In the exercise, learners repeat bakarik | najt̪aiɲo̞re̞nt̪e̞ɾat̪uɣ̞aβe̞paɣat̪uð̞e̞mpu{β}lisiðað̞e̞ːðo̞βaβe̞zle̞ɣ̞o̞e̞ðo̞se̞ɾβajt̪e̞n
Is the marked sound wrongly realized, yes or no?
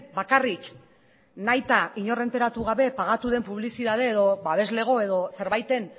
no